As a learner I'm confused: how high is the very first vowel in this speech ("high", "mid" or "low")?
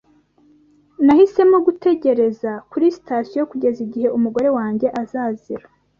low